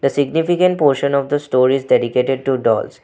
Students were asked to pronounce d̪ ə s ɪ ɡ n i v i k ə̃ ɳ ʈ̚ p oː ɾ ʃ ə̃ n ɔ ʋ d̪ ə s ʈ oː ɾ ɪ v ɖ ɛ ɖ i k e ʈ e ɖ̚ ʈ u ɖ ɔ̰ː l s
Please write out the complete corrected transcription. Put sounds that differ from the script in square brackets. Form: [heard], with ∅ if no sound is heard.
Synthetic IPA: d̪ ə s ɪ ɡ n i [f] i k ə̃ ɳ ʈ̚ p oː ɾ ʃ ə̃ n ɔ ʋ d̪ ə s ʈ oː ɾ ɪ [z] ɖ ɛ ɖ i k e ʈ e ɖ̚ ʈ u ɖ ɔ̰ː l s